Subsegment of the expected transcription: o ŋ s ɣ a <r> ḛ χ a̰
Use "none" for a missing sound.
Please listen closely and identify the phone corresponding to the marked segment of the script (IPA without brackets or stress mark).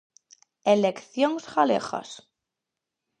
l